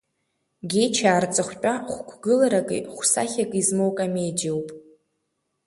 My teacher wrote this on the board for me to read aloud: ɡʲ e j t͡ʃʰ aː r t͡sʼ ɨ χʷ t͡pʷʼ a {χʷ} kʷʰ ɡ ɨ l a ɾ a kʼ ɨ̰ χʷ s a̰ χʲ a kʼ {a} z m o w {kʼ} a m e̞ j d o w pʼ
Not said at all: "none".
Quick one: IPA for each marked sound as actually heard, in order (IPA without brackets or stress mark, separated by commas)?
χʷ, i, kʼ